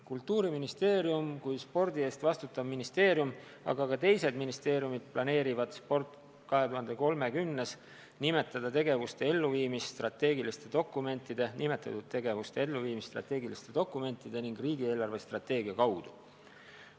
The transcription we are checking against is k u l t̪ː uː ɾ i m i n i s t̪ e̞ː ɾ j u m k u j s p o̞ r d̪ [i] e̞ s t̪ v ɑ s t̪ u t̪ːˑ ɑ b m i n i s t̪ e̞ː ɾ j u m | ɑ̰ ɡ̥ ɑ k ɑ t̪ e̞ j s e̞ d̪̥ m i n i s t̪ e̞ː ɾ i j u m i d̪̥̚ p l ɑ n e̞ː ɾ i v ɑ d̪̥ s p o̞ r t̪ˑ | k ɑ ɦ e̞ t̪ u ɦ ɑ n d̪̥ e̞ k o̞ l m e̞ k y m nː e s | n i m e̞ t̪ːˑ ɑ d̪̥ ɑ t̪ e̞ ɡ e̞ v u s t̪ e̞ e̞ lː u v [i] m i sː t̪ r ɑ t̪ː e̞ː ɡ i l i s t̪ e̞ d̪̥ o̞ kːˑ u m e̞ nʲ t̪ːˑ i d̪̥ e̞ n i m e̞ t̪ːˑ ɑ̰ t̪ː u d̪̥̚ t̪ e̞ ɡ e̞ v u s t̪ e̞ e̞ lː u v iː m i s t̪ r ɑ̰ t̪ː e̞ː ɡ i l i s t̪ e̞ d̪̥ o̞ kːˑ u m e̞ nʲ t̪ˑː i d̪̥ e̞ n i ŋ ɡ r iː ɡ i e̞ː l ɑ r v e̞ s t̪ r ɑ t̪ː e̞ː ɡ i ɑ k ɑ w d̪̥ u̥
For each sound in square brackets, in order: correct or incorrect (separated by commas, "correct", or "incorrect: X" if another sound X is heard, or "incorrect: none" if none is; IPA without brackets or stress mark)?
correct, incorrect: iː